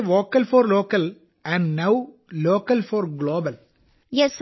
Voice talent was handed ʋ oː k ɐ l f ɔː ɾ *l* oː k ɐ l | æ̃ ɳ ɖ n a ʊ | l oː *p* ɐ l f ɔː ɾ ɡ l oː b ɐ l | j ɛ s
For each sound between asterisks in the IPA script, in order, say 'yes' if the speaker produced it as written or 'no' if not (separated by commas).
yes, no